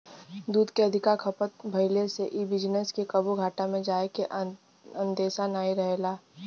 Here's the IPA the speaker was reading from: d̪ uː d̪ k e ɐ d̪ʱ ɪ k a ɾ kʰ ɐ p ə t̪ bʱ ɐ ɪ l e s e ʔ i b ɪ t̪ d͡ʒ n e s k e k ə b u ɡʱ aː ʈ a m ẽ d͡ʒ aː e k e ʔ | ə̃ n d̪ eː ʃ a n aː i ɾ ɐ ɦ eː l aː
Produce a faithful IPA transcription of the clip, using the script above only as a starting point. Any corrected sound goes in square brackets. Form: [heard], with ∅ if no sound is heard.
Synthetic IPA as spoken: d̪ uː d̪ k e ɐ d̪ʱ ɪ k a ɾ kʰ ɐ p ə t̪ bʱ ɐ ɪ l e s e ʔ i b ɪ [∅] d͡ʒ n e s k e k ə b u ɡʱ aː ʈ a m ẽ d͡ʒ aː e k e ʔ | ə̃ n d̪ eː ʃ a n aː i ɾ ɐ ɦ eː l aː